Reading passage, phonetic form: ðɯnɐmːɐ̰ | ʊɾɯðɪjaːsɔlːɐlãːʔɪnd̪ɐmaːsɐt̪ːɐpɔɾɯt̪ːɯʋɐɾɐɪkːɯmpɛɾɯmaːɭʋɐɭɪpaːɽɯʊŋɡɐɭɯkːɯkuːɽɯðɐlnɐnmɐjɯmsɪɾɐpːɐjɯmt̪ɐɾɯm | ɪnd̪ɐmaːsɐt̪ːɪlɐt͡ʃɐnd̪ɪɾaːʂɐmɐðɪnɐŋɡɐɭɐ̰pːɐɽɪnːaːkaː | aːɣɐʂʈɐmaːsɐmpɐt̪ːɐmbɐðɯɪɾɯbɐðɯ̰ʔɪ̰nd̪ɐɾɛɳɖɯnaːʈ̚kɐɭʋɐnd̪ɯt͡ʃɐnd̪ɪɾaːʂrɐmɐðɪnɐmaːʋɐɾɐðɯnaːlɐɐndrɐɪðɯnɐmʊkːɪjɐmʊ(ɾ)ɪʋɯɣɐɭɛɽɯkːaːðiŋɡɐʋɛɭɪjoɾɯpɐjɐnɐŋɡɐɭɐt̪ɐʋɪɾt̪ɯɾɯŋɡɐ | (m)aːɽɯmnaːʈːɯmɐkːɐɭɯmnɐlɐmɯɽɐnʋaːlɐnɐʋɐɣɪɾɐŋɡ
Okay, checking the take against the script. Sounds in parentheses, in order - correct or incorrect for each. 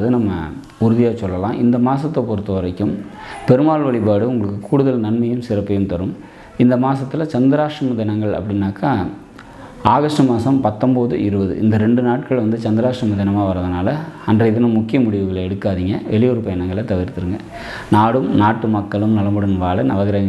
incorrect: ɽ, incorrect: n

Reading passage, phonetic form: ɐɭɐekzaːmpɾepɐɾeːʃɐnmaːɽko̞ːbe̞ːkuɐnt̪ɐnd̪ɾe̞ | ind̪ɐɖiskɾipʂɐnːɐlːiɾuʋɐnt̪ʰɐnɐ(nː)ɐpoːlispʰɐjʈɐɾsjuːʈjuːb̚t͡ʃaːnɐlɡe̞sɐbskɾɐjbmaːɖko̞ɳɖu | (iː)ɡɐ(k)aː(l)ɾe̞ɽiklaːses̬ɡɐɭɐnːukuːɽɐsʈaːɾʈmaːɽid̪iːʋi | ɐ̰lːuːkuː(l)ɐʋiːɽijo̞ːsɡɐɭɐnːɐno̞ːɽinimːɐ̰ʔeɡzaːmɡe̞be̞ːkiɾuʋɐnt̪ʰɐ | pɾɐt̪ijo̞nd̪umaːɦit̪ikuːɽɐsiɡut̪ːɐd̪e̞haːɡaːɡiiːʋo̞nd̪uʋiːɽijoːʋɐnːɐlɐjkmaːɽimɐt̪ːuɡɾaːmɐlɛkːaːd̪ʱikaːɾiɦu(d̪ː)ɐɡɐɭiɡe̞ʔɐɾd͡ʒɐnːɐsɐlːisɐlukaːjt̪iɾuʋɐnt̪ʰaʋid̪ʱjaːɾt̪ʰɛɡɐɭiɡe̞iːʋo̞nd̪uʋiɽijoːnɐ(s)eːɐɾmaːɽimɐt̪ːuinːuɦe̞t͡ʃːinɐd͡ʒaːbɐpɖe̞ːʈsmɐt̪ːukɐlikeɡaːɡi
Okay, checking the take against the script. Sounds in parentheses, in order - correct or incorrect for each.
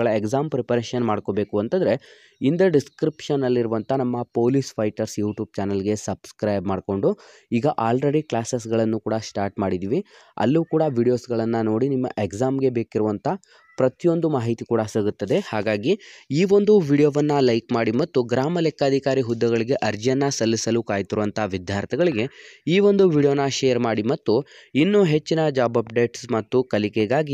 incorrect: mː, correct, incorrect: ʔ, correct, incorrect: ɽ, correct, incorrect: ʃ

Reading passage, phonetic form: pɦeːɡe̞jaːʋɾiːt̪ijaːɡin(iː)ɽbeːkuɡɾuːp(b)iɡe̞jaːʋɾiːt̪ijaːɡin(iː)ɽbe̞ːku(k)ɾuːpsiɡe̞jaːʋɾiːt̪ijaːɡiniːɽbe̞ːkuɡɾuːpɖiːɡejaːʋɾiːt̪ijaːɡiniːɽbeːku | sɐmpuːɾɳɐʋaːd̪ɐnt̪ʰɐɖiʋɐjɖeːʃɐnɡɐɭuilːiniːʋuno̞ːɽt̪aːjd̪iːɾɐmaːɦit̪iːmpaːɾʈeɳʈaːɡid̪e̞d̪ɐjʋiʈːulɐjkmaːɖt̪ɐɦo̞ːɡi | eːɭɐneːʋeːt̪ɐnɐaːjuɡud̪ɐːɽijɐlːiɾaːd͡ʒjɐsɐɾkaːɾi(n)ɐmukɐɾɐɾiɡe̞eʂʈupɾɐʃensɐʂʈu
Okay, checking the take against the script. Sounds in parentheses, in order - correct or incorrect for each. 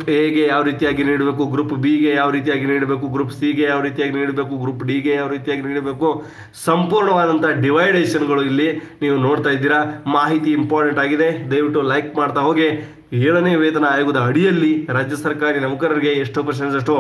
correct, correct, correct, incorrect: ɡ, correct

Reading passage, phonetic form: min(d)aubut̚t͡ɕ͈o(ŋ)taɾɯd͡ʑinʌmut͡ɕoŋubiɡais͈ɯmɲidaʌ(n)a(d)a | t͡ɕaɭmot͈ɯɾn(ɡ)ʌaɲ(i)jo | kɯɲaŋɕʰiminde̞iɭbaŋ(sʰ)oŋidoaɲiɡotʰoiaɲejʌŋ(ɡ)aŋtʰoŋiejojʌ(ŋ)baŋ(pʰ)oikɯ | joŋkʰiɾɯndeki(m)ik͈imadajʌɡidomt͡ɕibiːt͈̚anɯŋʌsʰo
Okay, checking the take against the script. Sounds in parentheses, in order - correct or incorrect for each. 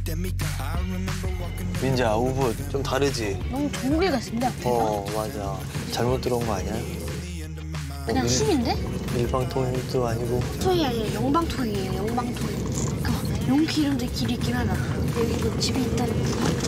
incorrect: d͡ʑ, incorrect: m, incorrect: m, incorrect: d͡ʑ, correct, incorrect: a, incorrect: tʰ, incorrect: b, correct, incorrect: tʰ, incorrect: b

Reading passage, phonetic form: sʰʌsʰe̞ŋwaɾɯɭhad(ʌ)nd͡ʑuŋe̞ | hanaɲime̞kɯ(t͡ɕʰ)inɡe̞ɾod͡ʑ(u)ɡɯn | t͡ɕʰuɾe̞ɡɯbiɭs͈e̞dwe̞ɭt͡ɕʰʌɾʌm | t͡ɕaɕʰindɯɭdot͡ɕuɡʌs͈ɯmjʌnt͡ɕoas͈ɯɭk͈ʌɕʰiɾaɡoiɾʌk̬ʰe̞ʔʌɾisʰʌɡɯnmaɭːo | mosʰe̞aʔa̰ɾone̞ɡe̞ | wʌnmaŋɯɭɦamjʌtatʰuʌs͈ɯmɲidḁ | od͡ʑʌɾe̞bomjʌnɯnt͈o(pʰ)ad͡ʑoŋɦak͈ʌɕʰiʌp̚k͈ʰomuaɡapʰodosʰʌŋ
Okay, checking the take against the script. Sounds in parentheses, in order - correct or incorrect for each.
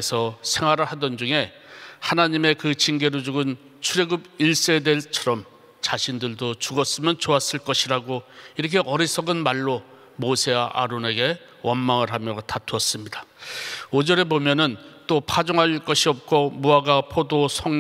correct, incorrect: t͡ɕ, correct, correct

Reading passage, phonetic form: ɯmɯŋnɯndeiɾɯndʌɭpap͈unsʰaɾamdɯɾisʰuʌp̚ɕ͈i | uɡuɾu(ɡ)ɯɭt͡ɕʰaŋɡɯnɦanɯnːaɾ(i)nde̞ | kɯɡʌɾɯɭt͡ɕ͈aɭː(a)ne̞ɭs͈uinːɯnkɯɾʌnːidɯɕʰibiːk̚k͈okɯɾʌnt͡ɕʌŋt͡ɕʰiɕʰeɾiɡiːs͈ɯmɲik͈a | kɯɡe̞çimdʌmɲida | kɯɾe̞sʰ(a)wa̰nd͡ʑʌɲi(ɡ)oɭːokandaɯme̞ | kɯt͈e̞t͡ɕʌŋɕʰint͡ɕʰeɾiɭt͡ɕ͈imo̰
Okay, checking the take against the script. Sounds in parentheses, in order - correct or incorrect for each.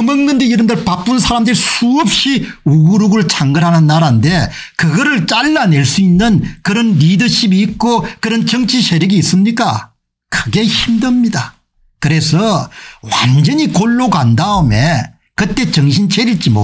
correct, incorrect: a, correct, incorrect: ʌ, incorrect: k

